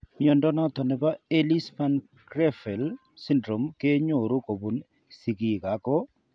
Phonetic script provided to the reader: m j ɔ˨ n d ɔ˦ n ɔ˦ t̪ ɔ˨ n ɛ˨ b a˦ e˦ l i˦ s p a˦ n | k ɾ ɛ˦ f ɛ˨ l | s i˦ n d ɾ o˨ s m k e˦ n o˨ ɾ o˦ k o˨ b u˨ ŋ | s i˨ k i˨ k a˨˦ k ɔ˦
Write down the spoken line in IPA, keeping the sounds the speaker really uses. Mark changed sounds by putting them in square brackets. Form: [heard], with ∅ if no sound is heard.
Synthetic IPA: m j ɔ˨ n d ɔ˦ n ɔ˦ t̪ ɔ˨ n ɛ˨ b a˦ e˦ l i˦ s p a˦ n | k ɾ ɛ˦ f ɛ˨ l | s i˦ n d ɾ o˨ [∅] m k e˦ [ɲ] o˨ ɾ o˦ k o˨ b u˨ [n] | s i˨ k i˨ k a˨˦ k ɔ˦